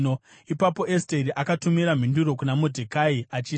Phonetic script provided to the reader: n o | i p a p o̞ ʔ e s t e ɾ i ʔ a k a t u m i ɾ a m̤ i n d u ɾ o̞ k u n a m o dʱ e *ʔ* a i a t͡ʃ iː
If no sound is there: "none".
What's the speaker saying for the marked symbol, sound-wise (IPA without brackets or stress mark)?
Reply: k